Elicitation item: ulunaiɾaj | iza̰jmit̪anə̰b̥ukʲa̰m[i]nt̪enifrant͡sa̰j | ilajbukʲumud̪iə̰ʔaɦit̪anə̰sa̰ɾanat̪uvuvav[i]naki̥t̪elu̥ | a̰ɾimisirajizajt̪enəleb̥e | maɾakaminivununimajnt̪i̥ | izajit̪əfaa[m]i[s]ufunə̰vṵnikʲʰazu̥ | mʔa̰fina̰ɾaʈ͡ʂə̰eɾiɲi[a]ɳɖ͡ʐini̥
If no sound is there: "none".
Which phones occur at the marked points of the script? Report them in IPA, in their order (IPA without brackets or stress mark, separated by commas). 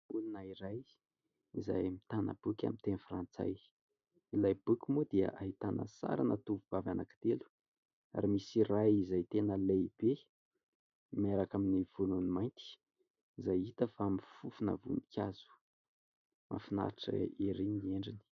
i, a, m, f, e